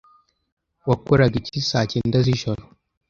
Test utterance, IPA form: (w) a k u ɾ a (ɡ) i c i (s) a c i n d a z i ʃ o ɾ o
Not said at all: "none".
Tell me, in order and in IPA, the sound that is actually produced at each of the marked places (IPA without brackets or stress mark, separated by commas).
w, ɡ, s